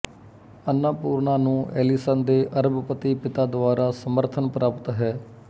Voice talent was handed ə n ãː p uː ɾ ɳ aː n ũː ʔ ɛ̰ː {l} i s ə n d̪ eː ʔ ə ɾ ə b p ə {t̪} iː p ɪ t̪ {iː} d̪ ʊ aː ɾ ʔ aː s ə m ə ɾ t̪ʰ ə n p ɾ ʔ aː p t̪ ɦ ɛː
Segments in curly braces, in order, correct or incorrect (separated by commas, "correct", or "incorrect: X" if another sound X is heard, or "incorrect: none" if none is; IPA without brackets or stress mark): correct, correct, incorrect: aː